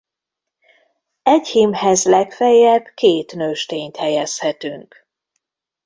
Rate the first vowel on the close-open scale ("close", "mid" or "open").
mid